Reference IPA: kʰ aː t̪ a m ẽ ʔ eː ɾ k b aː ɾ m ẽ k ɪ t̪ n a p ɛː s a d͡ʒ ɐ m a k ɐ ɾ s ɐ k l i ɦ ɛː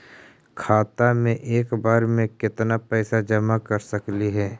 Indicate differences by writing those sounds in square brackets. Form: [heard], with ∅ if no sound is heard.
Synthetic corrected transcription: kʰ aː t̪ a m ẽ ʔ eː [∅] k b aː ɾ m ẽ k ɪ t̪ n a p ɛː s a d͡ʒ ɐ m a k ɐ ɾ s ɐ k l i ɦ ɛː